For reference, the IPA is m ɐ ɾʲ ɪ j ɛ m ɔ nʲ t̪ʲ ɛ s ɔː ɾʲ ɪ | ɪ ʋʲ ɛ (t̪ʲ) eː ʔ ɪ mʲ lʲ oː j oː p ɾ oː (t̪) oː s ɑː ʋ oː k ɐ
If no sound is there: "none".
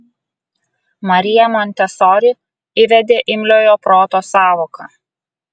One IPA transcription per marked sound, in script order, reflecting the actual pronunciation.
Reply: d̪ʲ, t̪

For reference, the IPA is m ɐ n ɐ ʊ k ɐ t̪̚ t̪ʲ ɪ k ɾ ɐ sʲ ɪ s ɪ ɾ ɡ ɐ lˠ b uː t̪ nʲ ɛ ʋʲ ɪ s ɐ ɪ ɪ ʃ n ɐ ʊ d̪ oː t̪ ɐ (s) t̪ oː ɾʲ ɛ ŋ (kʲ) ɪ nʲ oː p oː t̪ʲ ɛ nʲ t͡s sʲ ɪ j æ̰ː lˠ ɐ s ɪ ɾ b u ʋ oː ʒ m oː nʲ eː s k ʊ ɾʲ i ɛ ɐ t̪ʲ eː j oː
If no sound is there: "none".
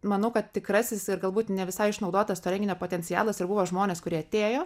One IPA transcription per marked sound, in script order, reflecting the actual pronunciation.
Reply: s, ɡʲ

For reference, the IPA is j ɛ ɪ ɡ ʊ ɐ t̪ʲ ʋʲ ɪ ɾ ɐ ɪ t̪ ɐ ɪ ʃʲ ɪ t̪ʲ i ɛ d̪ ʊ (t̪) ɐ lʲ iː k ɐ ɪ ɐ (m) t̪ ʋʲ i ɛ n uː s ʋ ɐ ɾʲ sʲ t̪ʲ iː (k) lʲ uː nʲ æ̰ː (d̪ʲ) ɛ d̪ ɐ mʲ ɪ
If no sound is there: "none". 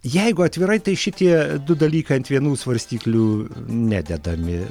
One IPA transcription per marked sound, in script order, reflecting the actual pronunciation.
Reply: d̪, n, k, d̪ʲ

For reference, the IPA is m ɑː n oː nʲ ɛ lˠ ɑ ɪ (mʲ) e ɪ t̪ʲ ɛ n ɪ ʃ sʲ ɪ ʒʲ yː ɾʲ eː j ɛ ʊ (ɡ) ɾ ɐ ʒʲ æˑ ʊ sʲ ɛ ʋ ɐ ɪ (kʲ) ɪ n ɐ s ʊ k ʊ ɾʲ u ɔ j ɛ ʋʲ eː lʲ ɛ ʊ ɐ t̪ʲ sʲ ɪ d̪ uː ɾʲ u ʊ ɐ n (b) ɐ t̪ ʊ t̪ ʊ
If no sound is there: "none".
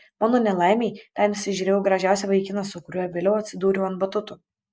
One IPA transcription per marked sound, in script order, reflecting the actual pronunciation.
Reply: mʲ, ɡ, kʲ, b

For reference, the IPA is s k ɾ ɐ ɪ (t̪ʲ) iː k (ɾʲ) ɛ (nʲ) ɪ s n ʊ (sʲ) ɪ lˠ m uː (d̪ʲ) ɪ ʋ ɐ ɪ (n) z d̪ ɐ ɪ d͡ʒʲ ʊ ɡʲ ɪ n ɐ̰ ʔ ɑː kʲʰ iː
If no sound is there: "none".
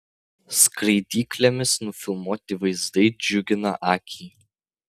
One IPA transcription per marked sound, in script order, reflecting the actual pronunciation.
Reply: d̪ʲ, lʲ, mʲ, fʲ, t̪ʲ, none

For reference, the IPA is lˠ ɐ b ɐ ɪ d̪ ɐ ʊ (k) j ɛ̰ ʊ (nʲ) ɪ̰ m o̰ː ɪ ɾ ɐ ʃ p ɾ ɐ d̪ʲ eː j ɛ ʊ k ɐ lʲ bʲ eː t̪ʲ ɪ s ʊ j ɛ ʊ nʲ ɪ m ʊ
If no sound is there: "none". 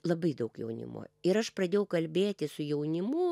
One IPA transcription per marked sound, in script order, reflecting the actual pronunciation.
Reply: k, nʲ

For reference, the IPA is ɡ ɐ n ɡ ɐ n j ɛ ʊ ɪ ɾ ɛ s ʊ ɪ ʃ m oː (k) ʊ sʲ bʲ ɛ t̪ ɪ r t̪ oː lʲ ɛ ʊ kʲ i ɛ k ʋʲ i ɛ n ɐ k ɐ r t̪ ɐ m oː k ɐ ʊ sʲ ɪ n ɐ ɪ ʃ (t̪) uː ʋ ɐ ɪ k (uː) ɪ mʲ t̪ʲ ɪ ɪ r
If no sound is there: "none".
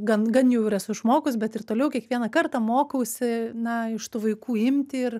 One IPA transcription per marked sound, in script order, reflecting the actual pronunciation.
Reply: k, t̪, uː

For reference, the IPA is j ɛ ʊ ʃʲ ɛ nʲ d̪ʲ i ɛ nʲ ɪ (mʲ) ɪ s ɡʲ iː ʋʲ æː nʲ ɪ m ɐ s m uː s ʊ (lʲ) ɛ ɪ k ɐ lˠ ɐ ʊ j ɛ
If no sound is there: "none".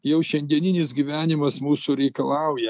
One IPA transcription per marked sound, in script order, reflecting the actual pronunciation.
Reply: nʲ, ɾʲ

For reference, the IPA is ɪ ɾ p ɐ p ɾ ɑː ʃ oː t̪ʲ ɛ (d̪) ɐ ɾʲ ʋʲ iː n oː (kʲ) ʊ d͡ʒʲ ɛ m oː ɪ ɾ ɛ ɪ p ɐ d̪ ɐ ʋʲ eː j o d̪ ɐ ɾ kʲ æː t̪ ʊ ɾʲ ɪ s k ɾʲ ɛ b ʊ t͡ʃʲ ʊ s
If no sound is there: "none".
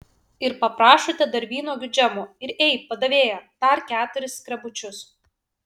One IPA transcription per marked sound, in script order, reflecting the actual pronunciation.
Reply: d̪, ɡʲ

